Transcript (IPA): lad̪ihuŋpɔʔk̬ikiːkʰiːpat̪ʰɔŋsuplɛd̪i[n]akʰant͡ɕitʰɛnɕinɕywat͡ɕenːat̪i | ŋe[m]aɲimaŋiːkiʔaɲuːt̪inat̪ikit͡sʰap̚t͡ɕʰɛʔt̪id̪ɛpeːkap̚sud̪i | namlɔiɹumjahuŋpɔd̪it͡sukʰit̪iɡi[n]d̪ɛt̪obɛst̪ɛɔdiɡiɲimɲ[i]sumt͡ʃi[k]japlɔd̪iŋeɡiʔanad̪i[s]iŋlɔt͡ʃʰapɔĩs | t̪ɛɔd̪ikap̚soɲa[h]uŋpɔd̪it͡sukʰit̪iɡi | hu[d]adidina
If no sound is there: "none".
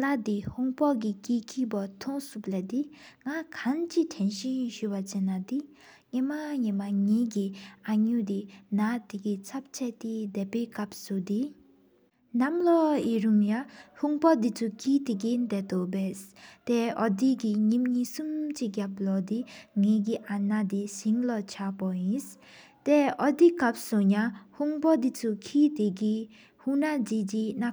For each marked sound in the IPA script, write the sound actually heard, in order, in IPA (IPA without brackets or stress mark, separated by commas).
ŋ, m, n, i, ɡ, s, h, n